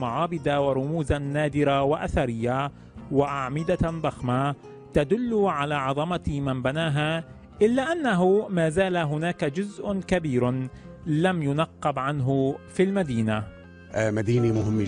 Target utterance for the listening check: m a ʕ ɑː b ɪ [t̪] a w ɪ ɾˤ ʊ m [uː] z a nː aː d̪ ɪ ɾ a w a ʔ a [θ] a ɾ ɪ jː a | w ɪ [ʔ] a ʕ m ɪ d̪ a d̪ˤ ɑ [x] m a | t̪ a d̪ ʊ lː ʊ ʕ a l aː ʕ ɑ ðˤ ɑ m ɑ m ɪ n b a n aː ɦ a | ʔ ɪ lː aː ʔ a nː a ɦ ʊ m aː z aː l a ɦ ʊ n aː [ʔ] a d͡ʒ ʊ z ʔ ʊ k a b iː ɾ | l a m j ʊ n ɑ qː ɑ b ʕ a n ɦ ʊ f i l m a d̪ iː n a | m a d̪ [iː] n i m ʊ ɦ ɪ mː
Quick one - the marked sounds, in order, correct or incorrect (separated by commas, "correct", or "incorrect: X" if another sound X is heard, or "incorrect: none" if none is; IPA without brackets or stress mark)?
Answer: incorrect: d̪, correct, correct, correct, correct, incorrect: k, correct